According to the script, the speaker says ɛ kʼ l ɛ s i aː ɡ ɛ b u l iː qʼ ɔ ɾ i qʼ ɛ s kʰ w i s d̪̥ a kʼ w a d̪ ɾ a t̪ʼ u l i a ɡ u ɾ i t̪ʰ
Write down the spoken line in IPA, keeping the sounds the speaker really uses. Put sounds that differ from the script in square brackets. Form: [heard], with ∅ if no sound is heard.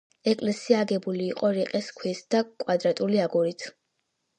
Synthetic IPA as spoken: ɛ kʼ l ɛ s i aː ɡ ɛ b u l iː qʼ ɔ ɾ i qʼ ɛ s kʰ w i s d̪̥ a kʼ w a d̪ ɾ a t̪ʼ u l i a ɡ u ɾ i t̪ʰ